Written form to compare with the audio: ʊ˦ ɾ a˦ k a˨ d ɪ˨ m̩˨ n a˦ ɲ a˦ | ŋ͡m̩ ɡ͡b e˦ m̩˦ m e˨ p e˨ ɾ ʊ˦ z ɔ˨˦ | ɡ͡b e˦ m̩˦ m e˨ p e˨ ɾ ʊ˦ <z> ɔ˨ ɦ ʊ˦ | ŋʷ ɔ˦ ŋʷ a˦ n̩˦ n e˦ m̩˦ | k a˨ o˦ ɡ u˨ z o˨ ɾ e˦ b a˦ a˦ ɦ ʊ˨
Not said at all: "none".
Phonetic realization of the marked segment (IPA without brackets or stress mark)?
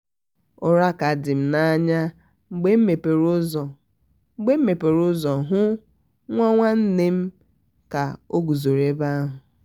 z